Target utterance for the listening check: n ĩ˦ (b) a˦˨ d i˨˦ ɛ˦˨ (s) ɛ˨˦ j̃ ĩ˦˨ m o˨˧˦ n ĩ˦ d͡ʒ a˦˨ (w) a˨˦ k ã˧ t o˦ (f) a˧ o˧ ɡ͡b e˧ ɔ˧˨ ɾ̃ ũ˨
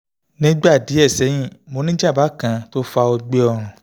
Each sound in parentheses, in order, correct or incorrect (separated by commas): incorrect, correct, incorrect, correct